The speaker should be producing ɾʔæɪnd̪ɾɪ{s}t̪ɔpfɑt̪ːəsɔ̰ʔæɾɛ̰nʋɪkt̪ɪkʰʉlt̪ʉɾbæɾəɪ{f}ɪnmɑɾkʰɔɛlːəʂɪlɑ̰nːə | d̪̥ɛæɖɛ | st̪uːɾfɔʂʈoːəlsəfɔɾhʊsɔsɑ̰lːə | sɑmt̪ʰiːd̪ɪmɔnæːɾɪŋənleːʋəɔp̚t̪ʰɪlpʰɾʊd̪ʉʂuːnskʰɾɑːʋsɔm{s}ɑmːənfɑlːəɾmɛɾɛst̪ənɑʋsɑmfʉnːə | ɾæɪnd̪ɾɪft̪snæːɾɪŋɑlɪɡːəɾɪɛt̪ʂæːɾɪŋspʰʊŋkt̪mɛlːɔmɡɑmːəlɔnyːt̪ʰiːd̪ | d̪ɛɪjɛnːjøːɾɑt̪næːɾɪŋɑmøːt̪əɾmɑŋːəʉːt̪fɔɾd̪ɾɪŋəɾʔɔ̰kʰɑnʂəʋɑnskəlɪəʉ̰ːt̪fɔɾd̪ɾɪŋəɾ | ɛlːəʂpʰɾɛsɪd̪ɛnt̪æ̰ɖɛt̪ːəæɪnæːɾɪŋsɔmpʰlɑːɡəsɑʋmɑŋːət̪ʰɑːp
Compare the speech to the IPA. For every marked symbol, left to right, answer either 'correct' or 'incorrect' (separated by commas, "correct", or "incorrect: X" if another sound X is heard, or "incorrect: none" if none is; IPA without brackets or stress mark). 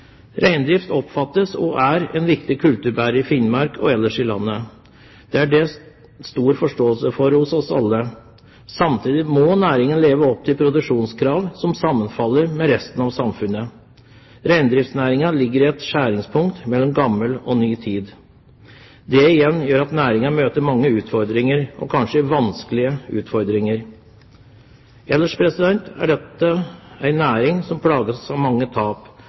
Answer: incorrect: f, correct, correct